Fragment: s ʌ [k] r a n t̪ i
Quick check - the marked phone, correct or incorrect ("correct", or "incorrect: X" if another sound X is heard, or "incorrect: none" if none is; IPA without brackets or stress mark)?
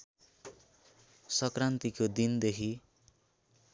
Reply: correct